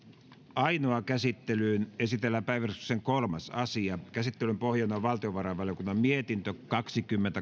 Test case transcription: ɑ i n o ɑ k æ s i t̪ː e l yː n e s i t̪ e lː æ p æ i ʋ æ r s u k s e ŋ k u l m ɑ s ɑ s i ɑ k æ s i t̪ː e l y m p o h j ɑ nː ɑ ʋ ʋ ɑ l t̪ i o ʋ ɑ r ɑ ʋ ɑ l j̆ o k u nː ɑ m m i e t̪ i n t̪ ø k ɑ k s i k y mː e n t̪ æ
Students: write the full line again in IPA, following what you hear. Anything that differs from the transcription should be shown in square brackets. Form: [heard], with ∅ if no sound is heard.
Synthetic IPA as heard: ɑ i n o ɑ k æ s i t̪ː e l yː n e s i t̪ e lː æ p æ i ʋ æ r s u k s e ŋ k [o] l m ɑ s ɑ s i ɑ k æ s i t̪ː e l y m p o h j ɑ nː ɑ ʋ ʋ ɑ l t̪ i o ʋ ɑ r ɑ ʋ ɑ l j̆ o k u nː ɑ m m i e t̪ i n t̪ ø k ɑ k s i k y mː e n t̪ æ